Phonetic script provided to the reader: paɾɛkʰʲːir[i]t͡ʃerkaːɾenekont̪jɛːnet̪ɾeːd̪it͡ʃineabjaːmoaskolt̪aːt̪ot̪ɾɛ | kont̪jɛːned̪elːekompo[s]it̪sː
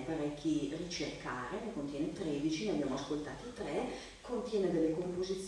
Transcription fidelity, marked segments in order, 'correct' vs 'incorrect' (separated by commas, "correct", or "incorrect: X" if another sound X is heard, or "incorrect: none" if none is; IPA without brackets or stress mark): correct, incorrect: z